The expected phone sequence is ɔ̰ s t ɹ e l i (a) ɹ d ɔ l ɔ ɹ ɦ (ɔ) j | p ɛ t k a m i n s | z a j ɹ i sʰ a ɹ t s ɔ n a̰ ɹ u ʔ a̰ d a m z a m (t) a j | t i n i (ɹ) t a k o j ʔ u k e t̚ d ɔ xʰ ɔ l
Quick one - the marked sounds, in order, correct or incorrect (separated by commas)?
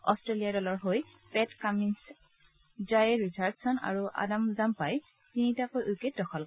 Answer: correct, incorrect, incorrect, incorrect